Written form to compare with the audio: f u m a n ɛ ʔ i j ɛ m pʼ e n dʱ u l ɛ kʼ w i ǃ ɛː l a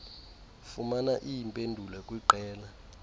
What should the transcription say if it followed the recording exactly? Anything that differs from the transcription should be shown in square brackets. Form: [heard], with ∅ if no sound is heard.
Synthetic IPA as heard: f u m a n [a] ʔ i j [i] m pʼ e n dʱ u l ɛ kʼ w i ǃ ɛː l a